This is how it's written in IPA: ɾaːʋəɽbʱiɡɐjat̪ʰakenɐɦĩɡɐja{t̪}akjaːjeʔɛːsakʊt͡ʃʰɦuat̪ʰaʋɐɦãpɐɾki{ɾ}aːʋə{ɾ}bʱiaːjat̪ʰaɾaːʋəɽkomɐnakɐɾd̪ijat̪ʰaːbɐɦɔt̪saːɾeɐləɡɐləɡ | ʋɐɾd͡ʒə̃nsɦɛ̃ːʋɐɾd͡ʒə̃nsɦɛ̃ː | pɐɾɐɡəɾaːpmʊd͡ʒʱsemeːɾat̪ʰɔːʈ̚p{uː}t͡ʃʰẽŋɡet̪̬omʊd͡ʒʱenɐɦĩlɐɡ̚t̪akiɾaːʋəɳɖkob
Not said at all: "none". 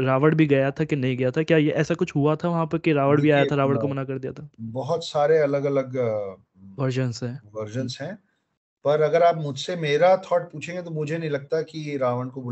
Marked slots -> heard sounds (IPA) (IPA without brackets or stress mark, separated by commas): t̪ʰ, ɾ, ɽ, uː